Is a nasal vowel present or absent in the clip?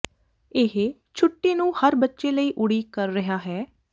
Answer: present